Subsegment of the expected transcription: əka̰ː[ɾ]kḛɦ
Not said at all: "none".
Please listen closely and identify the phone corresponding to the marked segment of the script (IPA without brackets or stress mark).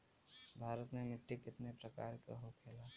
ɾ